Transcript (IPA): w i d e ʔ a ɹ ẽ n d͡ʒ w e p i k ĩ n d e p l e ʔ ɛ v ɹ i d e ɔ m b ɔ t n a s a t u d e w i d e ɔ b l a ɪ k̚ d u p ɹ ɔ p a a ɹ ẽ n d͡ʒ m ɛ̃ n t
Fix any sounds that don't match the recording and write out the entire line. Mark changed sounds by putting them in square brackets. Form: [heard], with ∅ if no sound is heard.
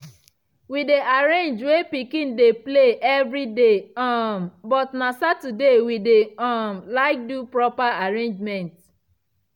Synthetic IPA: w i d e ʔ a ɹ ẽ n d͡ʒ w e p i k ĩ n d e p l e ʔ ɛ v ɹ i d e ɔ m b ɔ t n a s a t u d e w i d e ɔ [m] l a ɪ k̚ d u p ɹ ɔ p a a ɹ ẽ n d͡ʒ m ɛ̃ n t